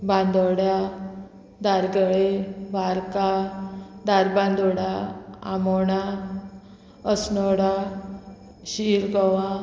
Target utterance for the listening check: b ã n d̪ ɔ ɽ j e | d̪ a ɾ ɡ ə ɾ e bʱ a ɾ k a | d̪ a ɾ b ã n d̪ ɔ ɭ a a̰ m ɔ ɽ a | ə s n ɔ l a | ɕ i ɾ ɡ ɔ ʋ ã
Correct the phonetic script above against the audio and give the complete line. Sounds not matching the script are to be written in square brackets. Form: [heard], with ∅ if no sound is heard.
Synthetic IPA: b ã n d̪ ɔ ɽ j [a] | d̪ a ɾ ɡ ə [ɭ] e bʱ a ɾ k a | d̪ a ɾ b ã n d̪ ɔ [ɽ] a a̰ m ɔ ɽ a | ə s n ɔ [ɽ] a | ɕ i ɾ ɡ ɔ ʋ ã